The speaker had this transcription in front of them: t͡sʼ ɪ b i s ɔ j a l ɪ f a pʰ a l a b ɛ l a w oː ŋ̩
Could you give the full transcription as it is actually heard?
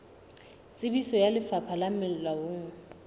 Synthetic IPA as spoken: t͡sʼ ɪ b i s ɔ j a l ɪ f a pʰ a l a m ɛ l a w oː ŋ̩